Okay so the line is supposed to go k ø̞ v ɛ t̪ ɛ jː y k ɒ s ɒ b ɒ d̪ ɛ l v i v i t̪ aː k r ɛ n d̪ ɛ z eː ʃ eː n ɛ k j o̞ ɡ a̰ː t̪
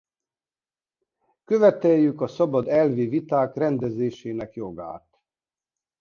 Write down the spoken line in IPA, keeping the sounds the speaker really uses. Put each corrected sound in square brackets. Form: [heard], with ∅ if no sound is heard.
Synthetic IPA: k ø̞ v ɛ t̪ ɛ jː y k ɒ s ɒ b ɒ d̪ ɛ l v i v i t̪ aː k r ɛ n d̪ ɛ z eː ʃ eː n ɛ k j o̞ ɡ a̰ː t̪